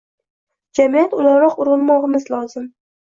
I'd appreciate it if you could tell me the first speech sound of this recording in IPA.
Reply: d͡ʒ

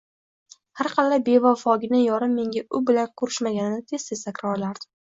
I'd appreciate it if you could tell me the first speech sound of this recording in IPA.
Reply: h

